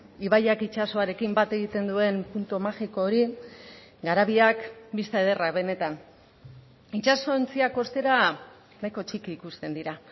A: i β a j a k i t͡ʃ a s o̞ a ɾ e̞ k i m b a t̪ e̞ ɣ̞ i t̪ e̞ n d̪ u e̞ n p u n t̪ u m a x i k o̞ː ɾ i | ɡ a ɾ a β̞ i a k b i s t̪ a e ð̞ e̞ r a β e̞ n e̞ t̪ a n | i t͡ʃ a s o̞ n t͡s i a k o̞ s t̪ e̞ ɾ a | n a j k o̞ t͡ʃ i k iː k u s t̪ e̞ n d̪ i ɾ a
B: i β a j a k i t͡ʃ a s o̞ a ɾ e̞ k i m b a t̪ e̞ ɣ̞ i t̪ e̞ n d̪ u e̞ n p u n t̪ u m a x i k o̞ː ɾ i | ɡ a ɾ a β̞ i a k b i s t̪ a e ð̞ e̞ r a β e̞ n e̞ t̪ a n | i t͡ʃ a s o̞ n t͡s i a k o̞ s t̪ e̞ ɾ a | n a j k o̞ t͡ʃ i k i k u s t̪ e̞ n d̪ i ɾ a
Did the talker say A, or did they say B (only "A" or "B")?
A